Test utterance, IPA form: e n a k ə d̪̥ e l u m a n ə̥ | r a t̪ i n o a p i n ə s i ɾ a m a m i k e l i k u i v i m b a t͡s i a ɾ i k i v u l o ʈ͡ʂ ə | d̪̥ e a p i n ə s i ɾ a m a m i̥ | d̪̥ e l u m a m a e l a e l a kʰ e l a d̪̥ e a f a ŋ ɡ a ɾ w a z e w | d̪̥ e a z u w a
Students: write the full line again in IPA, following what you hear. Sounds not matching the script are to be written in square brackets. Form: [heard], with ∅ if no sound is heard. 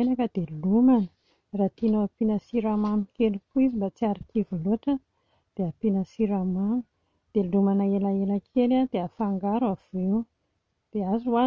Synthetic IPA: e n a k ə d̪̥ e l u m a n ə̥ | r a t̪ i n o a p i n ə s i ɾ a m a m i k e l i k u i [z] i m b a t͡s i a ɾ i k i v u l o ʈ͡ʂ ə | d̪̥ e a p i n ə s i ɾ a m a m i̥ | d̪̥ e l u m a [n] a e l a e l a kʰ e l a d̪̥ e a f a ŋ ɡ a ɾ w a [v] e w | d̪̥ e a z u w a